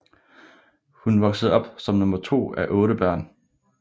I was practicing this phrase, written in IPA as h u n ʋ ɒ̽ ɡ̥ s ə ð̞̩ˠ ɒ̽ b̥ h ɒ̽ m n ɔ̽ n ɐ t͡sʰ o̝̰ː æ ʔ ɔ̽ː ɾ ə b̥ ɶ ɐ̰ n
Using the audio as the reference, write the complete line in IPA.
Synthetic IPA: h u n ʋ ɒ̽ ɡ̥ s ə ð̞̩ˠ ɒ̽ b̥ s ɒ̽ m n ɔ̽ m ɐ t͡sʰ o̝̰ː æ ʔ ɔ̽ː ɾ ə b̥ ɶ ɐ̰ n